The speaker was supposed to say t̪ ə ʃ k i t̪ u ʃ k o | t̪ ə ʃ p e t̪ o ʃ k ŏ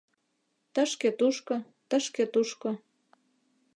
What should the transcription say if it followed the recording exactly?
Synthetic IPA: t̪ ə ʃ k e t̪ u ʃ k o | t̪ ə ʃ k e t̪ u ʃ k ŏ